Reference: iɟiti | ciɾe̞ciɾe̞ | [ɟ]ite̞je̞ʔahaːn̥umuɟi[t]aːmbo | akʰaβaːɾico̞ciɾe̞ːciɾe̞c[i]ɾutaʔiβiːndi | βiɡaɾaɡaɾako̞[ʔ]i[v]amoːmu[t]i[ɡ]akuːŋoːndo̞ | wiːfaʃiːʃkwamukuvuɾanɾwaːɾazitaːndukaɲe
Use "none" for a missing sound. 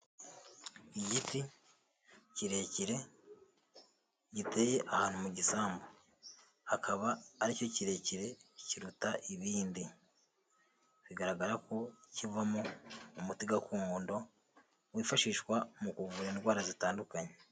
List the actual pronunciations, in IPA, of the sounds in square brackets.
ɟ, s, i, c, v, t, ɡ

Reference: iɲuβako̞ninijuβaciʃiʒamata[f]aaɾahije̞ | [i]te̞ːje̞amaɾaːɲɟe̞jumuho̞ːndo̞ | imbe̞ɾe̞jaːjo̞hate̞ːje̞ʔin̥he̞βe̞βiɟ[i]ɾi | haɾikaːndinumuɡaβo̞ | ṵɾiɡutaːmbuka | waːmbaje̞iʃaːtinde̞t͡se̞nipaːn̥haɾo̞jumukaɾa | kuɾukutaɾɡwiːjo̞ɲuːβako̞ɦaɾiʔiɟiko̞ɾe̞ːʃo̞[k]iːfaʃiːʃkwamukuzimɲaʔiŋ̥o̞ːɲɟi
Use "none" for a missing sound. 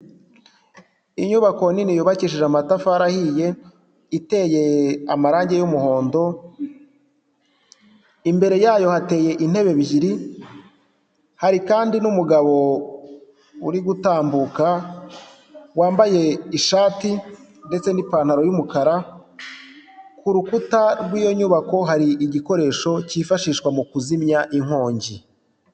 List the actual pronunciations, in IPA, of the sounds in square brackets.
f, i, i, c

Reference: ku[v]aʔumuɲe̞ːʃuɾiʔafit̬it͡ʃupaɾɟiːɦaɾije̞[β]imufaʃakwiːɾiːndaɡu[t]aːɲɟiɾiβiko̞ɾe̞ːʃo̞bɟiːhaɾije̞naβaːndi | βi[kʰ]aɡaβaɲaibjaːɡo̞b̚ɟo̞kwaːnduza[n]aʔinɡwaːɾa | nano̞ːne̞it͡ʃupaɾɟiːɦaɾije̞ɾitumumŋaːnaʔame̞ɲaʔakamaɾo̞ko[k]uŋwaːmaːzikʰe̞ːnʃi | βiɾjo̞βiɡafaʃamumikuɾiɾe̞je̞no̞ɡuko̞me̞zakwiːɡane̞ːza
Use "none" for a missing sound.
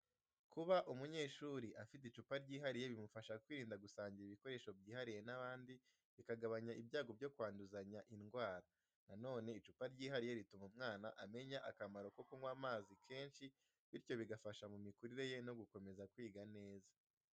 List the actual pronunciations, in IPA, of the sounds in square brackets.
β, β, s, k, ɲ, k

